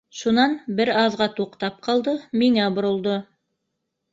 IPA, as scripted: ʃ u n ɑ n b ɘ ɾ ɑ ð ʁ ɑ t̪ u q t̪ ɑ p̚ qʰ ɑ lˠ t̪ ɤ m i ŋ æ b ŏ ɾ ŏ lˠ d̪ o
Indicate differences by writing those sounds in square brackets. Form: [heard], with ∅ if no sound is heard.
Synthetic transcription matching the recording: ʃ u n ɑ n b ɘ ɾ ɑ ð ʁ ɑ t̪ u q t̪ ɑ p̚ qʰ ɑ lˠ [d̪] ɤ m i ŋ æ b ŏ ɾ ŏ lˠ d̪ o